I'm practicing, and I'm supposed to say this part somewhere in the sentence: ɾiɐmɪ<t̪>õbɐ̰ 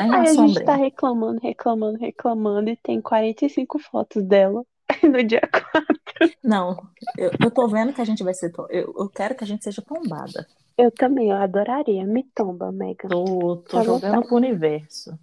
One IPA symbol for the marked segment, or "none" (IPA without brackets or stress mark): t̪